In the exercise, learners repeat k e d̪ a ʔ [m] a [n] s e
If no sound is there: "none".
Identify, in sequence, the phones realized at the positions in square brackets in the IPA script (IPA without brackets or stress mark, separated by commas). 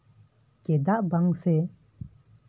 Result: b, ŋ